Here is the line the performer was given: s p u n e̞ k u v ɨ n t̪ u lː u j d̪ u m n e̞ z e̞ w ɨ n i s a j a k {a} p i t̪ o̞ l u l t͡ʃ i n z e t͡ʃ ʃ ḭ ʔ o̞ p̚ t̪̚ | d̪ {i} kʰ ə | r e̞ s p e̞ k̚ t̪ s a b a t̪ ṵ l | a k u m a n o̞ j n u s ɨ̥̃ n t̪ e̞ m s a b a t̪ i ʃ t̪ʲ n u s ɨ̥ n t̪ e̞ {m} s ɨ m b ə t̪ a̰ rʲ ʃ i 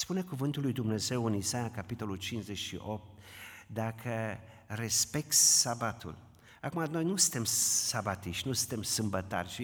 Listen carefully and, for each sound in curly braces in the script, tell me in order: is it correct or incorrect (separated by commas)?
correct, incorrect, correct